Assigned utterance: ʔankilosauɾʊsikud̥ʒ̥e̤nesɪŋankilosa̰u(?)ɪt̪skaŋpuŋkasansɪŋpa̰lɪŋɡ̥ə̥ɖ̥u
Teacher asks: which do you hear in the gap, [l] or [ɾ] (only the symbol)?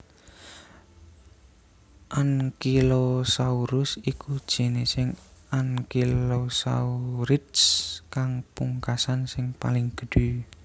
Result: ɾ